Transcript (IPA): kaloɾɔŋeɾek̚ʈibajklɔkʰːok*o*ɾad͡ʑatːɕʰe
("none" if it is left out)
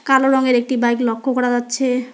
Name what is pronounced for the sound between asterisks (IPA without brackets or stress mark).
ɔ